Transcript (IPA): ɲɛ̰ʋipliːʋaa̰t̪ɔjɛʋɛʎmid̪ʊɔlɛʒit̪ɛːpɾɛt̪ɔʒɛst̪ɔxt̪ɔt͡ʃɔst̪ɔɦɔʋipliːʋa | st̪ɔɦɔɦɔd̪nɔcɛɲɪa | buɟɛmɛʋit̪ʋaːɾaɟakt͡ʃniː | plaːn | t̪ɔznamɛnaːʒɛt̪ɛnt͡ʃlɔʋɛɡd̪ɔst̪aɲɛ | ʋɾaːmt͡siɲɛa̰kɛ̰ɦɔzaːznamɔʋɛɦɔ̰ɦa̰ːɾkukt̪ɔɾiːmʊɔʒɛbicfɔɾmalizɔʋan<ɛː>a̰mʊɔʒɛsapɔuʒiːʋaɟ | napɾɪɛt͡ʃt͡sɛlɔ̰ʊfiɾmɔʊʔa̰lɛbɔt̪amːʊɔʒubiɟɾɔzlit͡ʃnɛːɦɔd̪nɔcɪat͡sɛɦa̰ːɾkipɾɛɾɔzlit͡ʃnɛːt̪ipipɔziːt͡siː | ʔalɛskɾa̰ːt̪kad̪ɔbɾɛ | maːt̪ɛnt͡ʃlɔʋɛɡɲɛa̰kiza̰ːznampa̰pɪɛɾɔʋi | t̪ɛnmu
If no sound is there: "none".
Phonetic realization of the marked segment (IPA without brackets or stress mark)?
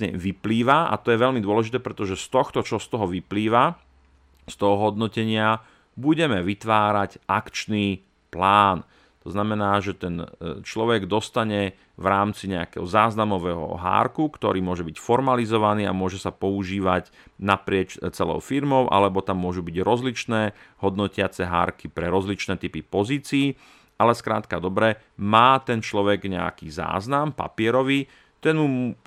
iː